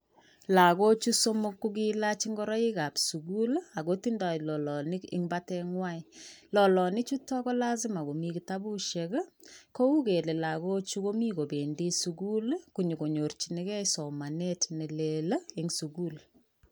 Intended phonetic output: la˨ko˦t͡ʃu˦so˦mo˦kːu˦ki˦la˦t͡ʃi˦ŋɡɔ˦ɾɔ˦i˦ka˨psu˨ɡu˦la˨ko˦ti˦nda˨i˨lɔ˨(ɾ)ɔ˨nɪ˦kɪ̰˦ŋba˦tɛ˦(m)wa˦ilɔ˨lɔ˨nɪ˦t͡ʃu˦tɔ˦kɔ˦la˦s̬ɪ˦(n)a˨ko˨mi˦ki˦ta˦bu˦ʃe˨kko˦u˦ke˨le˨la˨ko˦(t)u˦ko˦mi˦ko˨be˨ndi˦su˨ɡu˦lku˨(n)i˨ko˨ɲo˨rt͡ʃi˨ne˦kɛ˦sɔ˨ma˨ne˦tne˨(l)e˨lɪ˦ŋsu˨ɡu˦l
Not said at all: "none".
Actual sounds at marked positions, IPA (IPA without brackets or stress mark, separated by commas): l, ŋ, m, t͡ʃ, ɲ, l